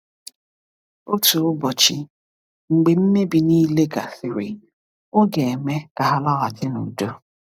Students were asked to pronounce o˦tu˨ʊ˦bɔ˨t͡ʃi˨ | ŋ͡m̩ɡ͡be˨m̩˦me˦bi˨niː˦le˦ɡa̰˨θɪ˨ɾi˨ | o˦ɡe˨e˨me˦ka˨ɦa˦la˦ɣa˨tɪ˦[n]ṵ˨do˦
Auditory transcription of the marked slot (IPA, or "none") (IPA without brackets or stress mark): n